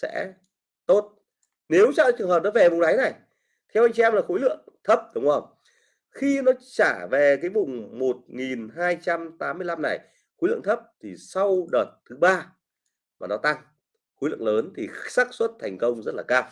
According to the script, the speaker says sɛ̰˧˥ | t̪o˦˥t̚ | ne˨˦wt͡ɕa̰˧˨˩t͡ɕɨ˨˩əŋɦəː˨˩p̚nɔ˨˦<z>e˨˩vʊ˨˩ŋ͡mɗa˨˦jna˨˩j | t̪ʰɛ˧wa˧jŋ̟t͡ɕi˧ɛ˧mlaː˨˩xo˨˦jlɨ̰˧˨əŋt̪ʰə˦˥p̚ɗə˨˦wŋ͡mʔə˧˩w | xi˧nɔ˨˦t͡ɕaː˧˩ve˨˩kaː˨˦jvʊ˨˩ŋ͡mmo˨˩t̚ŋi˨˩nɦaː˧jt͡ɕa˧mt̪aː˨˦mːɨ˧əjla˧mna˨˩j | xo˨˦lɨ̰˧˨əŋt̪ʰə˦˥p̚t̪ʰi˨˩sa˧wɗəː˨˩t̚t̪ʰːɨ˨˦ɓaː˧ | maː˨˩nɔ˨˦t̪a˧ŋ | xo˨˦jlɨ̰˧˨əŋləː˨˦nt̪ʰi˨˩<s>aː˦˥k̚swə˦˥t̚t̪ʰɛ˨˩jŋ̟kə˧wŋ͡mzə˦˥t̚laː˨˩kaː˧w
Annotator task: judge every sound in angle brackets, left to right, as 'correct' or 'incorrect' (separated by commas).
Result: incorrect, correct